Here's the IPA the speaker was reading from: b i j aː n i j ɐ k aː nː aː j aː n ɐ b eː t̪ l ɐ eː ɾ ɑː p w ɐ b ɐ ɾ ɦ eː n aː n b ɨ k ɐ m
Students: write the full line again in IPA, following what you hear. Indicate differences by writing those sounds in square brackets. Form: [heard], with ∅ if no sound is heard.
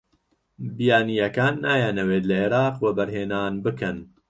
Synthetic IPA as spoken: b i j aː n i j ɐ k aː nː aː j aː n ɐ [w] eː t̪ l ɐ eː ɾ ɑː [q] w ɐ b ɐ ɾ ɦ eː n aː n b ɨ k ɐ [n]